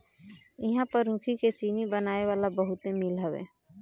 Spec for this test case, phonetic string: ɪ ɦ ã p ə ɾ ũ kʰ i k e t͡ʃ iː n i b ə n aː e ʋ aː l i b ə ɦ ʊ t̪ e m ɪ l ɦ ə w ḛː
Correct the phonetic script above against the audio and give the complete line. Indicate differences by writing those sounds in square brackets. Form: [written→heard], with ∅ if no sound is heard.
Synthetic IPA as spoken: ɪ ɦ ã p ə ɾ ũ kʰ i k e t͡ʃ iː n i b ə n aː e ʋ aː l [i→a] b ə ɦ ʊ t̪ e m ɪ l ɦ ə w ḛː